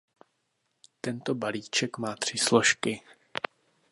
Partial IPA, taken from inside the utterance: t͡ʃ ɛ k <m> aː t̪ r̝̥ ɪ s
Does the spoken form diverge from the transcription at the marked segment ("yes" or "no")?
no